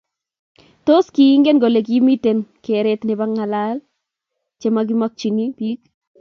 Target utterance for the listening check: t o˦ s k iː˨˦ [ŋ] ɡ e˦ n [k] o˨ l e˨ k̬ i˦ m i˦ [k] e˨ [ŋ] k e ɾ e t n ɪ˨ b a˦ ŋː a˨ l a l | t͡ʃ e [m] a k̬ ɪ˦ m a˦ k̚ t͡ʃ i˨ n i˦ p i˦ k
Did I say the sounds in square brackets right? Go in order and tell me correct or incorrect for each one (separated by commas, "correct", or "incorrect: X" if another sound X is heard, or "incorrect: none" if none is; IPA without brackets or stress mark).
correct, incorrect: ɡ, incorrect: t, incorrect: n, correct